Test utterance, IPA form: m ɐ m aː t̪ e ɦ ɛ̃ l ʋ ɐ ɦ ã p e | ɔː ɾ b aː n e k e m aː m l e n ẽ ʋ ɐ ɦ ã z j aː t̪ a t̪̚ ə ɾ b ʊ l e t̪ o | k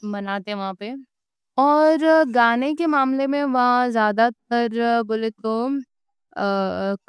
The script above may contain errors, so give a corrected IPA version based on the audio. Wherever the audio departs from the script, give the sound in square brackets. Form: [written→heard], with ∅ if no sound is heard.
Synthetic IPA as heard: m ɐ [m→n] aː t̪ e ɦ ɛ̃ [l→∅] ʋ ɐ ɦ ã p e | ɔː ɾ [b→ɡ] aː n e k e m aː m l e [n→m] ẽ ʋ ɐ ɦ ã z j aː [t̪→d̪] a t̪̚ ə ɾ b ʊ l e t̪ o | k